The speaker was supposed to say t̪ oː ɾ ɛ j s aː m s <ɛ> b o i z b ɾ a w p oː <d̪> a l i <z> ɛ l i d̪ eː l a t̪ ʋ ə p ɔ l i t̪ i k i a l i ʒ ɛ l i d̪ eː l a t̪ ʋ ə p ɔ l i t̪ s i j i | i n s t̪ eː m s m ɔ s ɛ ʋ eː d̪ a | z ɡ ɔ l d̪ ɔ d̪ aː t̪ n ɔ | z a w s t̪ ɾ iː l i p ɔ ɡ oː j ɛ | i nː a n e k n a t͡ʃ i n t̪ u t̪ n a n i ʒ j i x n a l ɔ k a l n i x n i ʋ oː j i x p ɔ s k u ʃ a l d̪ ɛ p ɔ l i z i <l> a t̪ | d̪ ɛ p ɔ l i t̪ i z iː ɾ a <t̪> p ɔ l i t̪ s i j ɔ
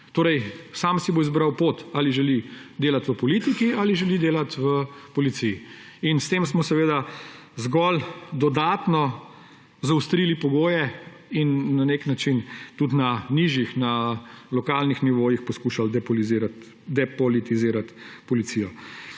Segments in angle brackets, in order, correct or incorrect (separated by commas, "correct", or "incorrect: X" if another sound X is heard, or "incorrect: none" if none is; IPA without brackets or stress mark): incorrect: i, incorrect: t̪, incorrect: ʒ, incorrect: ɾ, correct